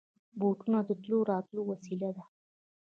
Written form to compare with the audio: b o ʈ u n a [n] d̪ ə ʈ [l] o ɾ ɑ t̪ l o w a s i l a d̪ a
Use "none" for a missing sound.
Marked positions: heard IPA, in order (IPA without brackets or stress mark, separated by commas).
none, l